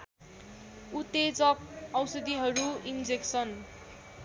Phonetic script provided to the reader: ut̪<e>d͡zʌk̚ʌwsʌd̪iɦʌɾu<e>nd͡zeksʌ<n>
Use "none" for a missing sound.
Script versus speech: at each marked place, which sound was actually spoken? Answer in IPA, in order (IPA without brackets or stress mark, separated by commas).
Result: e, i, n